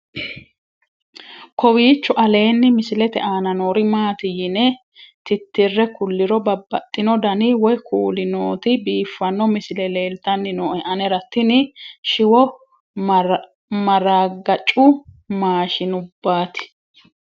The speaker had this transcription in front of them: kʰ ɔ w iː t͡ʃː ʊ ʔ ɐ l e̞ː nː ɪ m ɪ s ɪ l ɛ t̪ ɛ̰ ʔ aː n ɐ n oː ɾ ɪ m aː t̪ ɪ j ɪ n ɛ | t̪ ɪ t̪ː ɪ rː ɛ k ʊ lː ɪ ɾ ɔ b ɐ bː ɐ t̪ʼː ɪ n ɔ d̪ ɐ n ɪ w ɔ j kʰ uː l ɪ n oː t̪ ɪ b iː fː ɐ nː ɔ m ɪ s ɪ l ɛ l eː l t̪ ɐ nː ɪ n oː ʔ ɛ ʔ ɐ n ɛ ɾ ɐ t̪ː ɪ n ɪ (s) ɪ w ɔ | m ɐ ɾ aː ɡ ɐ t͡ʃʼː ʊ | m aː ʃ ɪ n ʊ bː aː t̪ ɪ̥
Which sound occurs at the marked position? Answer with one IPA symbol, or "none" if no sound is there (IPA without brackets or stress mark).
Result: ʃ